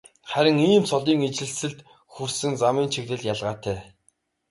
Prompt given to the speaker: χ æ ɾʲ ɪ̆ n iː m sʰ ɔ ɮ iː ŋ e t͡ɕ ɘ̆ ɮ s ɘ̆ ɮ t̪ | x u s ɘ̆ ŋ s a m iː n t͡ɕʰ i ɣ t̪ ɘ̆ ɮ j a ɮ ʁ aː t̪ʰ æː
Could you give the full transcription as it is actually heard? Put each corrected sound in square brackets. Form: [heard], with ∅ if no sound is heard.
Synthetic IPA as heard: χ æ ɾʲ ɪ̆ [ŋ] iː m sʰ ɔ ɮ iː ŋ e t͡ɕ ɘ̆ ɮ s ɘ̆ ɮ t̪ | x u s ɘ̆ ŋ [t͡s] a m iː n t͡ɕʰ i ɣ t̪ ɘ̆ ɮ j a ɮ ʁ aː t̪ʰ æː